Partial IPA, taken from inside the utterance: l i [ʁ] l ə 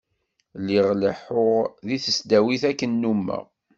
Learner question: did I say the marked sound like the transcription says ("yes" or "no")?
yes